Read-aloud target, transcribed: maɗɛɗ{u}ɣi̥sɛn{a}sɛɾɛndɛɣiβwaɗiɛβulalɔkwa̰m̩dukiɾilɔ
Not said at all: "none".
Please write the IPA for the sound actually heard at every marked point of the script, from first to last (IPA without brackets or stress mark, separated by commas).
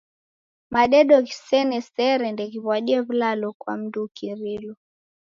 ɔ, ɛ